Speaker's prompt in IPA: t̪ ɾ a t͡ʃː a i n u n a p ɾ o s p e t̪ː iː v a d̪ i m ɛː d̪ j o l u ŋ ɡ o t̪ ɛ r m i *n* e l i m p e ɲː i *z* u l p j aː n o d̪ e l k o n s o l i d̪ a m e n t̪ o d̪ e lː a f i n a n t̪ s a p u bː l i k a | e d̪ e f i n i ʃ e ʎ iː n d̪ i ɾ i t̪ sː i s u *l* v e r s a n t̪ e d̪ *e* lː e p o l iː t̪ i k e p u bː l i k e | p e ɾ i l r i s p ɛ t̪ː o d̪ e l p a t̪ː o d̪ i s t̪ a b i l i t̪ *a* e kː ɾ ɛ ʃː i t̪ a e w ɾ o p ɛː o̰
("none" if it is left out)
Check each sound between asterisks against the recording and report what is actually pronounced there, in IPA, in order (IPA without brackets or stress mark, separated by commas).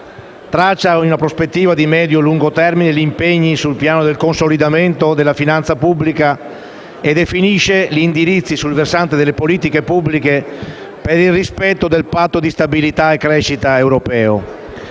n, s, l, e, a